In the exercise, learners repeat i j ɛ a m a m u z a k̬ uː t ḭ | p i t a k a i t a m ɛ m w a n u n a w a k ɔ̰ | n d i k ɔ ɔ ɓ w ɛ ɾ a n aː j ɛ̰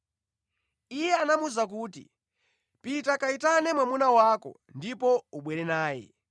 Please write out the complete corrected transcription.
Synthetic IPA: i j ɛ a n a m u z a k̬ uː t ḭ | p i t a k a i t a n ɛ m w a m u n a w a k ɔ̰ | n d i p ɔ u ɓ w ɛ ɾ ɛ n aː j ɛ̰